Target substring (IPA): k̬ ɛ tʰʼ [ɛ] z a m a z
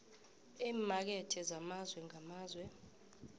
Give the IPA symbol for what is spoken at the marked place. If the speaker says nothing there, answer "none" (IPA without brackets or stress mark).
ɛ